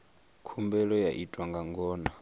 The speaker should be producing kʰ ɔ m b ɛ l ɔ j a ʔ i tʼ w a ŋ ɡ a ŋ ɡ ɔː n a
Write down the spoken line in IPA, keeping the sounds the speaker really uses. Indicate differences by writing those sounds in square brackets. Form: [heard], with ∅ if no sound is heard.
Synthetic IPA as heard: kʰ [u] m b ɛ l ɔ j a ʔ i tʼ w a ŋ ɡ a ŋ ɡ ɔː n a